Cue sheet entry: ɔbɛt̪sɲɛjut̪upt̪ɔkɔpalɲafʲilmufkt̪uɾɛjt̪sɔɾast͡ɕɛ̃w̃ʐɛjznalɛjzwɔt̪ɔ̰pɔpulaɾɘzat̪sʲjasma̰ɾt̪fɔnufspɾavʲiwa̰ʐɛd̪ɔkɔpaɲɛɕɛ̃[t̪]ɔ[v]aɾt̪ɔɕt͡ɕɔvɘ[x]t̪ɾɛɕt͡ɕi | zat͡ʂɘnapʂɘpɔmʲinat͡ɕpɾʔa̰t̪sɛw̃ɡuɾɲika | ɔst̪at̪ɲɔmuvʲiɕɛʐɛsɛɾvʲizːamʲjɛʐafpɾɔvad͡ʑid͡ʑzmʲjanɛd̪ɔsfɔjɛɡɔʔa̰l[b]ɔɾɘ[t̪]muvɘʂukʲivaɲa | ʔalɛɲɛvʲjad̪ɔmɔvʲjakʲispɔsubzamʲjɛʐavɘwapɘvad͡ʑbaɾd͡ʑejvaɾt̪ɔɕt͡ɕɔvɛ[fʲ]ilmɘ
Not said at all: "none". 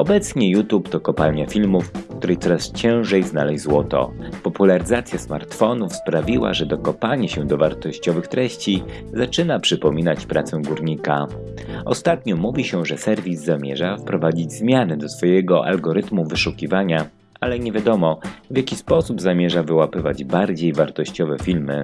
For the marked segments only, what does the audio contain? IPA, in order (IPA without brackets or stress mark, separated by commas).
d̪, v, x, ɡ, t̪, fʲ